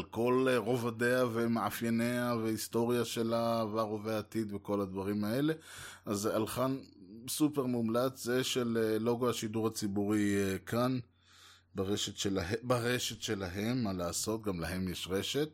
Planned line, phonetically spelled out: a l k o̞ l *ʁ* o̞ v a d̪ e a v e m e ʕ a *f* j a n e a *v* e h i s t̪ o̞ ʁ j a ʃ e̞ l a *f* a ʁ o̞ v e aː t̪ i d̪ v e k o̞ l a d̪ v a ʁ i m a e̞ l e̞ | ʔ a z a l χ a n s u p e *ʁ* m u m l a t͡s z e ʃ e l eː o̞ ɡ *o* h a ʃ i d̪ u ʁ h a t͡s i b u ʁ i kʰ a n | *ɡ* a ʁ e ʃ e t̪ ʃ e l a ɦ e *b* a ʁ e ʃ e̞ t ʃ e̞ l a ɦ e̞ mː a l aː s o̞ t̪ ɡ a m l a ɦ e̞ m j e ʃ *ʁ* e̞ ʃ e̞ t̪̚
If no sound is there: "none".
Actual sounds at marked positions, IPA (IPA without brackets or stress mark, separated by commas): ʁ, f, v, v, ʁ, o, b, b, ʁ